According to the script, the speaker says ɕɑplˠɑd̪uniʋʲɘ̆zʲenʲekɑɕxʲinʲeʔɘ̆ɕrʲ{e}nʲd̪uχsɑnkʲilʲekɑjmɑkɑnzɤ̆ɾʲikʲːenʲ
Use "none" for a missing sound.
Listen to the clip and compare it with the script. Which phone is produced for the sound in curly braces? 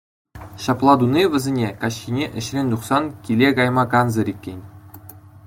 e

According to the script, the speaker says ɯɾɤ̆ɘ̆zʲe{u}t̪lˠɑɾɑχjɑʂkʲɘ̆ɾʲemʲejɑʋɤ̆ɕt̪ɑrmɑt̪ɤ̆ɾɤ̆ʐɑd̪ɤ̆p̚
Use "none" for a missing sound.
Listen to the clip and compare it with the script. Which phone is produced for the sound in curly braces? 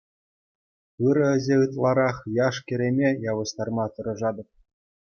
ɯ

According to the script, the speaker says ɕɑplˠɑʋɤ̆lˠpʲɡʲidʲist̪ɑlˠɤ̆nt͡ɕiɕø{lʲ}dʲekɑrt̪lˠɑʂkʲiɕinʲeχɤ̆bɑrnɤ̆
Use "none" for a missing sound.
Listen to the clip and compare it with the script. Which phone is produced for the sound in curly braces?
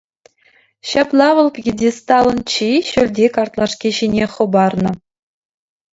lʲ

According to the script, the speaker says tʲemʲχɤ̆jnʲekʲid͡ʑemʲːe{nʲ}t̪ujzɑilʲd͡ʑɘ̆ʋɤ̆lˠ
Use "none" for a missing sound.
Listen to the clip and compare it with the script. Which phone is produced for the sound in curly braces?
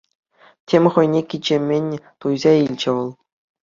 nʲ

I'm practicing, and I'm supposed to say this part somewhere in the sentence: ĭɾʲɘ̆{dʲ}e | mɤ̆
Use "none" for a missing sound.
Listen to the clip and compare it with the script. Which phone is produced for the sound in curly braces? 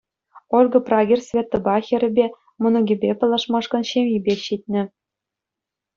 bʲ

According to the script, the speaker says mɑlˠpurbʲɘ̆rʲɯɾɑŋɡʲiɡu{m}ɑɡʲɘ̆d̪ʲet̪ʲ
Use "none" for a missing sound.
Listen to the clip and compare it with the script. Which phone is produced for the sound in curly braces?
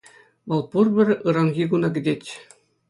n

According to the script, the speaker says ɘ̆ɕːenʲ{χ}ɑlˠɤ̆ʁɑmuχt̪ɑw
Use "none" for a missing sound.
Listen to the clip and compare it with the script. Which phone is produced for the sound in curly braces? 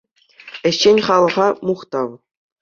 χ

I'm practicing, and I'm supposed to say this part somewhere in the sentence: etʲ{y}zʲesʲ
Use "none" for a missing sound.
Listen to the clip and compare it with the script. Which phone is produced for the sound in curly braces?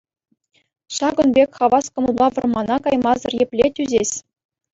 y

